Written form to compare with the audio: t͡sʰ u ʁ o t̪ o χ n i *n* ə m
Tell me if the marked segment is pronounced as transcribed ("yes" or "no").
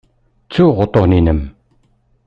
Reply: yes